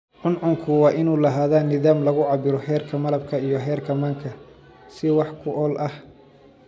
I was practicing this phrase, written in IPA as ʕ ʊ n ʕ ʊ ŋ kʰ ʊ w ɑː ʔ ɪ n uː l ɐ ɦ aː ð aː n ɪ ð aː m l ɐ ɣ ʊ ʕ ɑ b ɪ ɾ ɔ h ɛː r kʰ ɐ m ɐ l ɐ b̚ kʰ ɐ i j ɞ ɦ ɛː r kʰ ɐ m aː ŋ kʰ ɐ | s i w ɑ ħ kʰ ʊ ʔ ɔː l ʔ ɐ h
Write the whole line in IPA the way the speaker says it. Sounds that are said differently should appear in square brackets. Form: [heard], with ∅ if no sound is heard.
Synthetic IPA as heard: ʕ ʊ n ʕ ʊ ŋ kʰ ʊ w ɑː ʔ ɪ n uː l ɐ ɦ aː ð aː n ɪ ð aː m l ɐ ɣ ʊ ʕ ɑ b ɪ ɾ ɔ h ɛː r kʰ ɐ m ɐ l ɐ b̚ kʰ ɐ i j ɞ ɦ ɛː r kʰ ɐ m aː ŋ kʰ ɐ | s [ɪ] w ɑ ħ kʰ ʊ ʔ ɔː l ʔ ɐ h